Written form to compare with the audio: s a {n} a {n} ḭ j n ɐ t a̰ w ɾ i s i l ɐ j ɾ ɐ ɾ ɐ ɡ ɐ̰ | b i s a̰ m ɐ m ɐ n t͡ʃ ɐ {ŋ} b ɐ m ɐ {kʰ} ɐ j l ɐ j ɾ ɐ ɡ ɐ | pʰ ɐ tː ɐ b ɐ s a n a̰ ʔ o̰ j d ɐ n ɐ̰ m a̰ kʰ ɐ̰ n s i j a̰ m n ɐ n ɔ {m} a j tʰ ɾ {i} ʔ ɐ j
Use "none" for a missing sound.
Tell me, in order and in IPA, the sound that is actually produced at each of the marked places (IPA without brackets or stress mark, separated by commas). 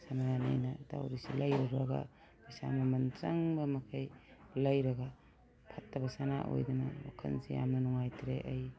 n, n, ŋ, kʰ, ŋ, e